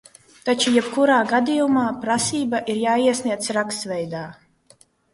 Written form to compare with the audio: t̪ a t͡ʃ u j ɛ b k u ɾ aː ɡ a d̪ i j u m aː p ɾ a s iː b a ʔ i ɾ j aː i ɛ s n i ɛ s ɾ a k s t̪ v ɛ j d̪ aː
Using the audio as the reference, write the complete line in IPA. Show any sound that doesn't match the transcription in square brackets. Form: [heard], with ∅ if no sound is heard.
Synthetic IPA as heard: t̪ a t͡ʃ u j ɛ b k u ɾ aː ɡ a d̪ i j u m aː p ɾ a s iː b a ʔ i ɾ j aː i ɛ s n i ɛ s ɾ a k s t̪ v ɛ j d̪ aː